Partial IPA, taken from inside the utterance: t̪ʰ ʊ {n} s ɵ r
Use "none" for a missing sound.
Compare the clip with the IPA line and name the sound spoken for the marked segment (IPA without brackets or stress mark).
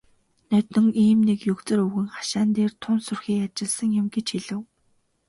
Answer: n